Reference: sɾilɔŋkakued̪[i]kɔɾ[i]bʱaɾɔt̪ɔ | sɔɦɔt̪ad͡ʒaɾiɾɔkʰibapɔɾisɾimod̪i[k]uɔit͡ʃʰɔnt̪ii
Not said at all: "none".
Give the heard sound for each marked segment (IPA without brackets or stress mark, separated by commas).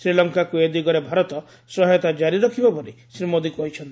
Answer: i, e, k